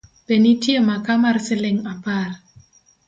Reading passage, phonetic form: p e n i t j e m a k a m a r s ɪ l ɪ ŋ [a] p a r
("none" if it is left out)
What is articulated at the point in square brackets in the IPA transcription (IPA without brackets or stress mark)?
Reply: a